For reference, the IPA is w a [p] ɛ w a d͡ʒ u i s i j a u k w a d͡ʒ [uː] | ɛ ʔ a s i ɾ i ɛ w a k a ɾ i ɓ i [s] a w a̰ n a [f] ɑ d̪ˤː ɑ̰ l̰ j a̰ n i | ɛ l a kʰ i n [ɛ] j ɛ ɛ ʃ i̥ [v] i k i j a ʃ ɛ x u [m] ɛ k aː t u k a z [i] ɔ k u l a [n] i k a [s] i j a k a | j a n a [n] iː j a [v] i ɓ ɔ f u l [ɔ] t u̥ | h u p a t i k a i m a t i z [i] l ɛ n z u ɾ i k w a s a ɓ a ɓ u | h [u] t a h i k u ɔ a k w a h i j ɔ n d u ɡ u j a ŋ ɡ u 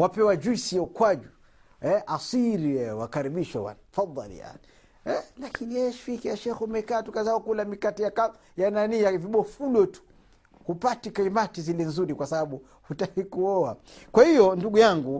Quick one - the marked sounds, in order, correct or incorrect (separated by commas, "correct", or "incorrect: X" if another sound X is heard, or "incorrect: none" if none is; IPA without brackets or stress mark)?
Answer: correct, incorrect: u, incorrect: ʃ, correct, incorrect: i, incorrect: f, correct, incorrect: a, incorrect: m, incorrect: t, correct, correct, correct, correct, correct